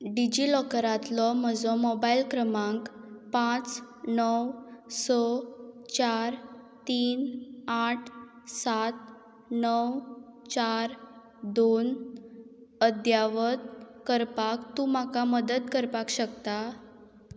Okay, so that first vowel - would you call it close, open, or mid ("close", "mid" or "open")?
close